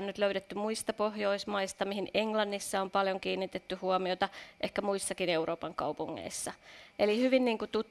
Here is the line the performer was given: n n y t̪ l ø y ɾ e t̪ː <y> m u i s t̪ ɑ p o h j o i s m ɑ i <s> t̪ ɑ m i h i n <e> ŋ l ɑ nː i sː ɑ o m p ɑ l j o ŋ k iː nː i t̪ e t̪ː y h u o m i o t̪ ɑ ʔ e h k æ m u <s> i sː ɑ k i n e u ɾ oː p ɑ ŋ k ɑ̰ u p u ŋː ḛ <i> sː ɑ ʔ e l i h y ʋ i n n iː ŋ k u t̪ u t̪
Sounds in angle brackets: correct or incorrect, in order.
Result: correct, correct, correct, incorrect: none, correct

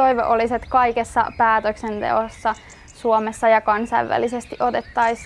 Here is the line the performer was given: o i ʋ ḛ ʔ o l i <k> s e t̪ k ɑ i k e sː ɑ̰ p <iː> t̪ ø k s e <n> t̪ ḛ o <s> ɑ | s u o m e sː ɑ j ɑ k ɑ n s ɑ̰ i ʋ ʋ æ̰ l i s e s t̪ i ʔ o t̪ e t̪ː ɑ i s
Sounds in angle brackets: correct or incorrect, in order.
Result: incorrect: none, incorrect: æː, correct, incorrect: sː

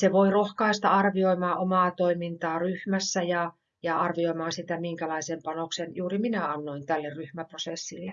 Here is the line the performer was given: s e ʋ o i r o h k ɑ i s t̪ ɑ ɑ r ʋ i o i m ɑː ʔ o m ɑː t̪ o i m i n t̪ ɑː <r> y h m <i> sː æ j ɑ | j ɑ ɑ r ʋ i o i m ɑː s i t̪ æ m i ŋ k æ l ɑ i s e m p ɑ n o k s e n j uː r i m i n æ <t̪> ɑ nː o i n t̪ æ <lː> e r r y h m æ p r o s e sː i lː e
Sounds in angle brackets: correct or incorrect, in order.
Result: correct, incorrect: æ, incorrect: none, correct

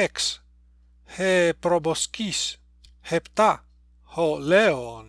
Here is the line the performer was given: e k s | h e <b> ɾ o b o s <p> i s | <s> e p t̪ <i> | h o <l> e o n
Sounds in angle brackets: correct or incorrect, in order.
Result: incorrect: p, incorrect: k, incorrect: h, incorrect: a, correct

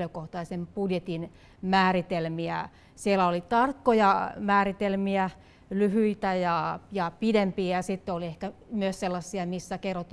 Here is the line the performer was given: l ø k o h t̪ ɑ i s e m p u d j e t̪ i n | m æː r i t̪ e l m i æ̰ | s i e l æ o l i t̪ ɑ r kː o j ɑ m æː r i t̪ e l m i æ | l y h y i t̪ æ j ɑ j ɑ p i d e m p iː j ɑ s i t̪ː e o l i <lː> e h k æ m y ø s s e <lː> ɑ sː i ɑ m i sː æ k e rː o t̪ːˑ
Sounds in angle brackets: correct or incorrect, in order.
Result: incorrect: none, correct

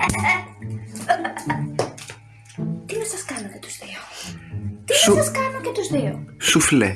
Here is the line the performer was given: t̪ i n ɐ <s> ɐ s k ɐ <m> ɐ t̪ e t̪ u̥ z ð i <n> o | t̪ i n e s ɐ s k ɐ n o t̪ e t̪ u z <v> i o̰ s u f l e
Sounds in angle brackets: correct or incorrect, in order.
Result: correct, incorrect: n, incorrect: none, incorrect: ð

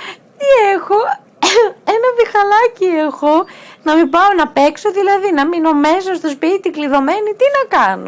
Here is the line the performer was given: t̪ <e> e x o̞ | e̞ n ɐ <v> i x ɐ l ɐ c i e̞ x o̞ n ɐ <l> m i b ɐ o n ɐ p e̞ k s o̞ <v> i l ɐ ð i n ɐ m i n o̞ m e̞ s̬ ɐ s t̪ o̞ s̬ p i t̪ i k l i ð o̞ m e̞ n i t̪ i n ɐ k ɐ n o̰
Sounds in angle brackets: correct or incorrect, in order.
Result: incorrect: i, correct, incorrect: none, incorrect: ð

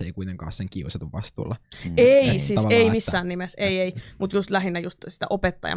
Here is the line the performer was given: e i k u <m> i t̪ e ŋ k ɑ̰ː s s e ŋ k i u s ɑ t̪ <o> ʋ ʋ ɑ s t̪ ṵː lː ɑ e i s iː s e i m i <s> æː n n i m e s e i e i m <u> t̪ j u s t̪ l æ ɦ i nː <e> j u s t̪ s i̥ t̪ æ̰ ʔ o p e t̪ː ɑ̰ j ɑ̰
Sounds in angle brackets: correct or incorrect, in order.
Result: incorrect: none, incorrect: u, incorrect: sː, correct, incorrect: æ

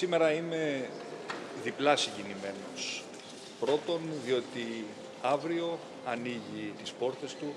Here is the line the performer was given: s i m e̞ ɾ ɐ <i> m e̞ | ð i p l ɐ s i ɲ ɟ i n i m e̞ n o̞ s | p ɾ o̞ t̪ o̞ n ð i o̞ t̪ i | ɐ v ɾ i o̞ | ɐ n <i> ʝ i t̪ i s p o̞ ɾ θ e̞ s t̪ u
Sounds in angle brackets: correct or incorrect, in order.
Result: correct, correct

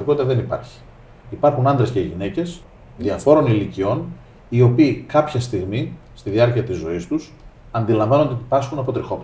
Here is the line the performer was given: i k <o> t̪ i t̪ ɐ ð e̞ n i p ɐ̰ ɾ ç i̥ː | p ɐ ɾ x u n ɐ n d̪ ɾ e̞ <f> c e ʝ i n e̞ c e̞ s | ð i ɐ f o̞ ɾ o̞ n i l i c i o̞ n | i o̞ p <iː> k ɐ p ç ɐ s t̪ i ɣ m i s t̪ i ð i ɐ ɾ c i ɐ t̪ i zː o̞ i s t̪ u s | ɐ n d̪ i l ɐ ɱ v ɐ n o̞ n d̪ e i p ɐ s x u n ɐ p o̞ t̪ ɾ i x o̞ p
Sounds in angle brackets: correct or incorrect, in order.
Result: correct, incorrect: s, correct

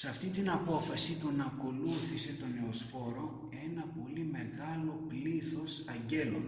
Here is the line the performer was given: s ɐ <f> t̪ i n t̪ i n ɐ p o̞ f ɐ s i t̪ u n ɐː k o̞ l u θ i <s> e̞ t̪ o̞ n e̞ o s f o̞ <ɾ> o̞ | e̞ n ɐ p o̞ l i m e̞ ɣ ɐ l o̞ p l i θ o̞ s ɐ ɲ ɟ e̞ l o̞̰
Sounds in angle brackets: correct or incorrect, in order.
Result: correct, correct, correct

